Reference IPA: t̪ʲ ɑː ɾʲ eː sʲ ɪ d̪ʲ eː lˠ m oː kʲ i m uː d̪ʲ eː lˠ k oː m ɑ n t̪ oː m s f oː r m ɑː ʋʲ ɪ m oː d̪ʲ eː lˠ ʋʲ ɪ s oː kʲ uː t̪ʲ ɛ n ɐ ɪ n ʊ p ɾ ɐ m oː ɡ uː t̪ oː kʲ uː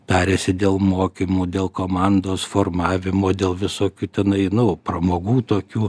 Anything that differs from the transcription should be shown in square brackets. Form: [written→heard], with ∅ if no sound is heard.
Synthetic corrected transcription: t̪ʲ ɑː ɾʲ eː sʲ ɪ d̪ʲ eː lˠ m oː kʲ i m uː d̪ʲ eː lˠ k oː m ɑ n [t̪→d̪] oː [m→∅] s f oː r m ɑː ʋʲ ɪ m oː d̪ʲ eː lˠ ʋʲ ɪ s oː kʲ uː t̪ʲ ɛ n ɐ ɪ n ʊ p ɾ ɐ m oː ɡ uː t̪ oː kʲ uː